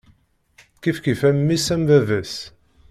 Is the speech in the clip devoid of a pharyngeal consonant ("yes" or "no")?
yes